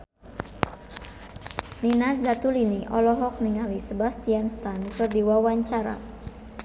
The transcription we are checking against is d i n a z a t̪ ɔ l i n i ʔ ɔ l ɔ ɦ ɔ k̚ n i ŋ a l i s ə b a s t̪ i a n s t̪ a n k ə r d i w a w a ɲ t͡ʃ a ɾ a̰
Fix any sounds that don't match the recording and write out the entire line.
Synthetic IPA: n i n a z a t̪ u l i n i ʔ ɔ l ɔ ɦ ɔ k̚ n i ŋ a l i s ə b a s t̪ i a n s t̪ a n k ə r d i w a w a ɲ t͡ʃ a ɾ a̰